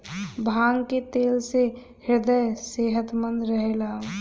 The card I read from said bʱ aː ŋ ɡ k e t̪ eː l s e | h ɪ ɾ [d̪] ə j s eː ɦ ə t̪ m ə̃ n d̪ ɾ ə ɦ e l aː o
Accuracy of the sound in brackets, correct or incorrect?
correct